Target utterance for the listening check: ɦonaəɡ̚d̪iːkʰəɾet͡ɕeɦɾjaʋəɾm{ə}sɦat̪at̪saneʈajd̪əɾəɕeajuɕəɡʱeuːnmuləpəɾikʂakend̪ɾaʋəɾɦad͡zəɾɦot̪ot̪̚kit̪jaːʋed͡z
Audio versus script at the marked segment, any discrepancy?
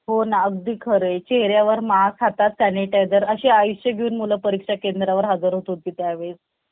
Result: yes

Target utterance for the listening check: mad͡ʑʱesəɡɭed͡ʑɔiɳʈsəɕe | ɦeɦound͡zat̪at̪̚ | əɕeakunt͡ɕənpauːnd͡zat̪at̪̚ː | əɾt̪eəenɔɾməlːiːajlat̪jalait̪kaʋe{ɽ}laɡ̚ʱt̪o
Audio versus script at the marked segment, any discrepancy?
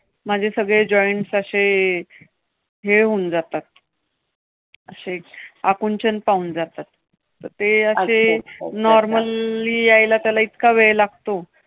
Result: yes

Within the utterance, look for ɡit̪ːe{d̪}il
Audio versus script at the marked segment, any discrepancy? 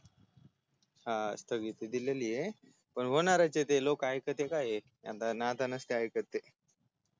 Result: no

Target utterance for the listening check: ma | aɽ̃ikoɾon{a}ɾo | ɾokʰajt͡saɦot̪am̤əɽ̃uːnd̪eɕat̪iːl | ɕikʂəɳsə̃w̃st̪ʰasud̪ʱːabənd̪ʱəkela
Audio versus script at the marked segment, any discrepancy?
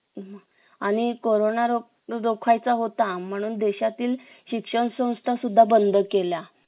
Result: no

